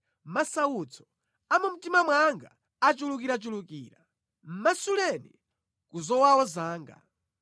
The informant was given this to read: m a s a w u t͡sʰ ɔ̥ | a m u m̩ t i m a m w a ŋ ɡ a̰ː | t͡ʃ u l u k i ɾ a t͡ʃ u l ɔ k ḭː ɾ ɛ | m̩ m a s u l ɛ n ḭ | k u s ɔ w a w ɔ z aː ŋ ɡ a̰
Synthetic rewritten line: m a s a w u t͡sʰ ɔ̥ | a m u m̩ t i m a m w a ŋ ɡ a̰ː | t͡ʃ u l u k i ɾ a t͡ʃ u l u k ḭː ɾ a | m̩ m a s u l ɛ n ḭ | k u z ɔ w a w ɔ z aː ŋ ɡ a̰